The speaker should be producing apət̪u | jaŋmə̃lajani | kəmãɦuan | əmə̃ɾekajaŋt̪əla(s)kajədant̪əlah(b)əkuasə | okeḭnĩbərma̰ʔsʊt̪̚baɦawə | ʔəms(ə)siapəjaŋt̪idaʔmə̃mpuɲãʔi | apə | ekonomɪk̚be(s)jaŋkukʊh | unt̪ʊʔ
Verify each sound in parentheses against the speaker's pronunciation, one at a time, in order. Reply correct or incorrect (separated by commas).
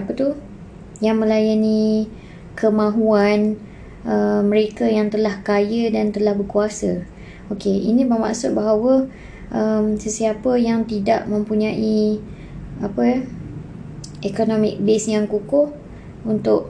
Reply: incorrect, correct, correct, correct